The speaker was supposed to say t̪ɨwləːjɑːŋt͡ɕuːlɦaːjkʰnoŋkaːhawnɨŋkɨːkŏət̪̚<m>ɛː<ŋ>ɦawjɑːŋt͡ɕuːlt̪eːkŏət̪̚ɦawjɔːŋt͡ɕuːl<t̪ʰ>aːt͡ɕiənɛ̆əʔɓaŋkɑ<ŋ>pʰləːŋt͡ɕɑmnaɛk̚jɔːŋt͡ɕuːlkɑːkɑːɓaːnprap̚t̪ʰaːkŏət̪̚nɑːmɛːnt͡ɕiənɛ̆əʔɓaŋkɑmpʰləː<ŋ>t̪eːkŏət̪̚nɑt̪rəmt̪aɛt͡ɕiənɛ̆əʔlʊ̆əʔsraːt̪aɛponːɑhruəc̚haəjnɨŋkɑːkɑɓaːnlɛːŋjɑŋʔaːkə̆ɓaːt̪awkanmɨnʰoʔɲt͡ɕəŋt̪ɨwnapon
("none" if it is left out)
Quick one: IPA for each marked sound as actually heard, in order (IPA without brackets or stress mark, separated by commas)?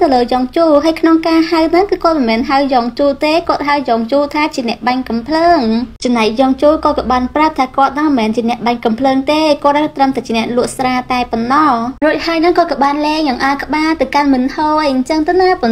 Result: m, n, t̪ʰ, m, ŋ